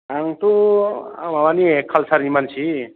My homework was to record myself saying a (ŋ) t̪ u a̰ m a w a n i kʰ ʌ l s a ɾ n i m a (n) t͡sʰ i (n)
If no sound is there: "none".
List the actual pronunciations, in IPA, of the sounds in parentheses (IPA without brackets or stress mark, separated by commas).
ŋ, n, none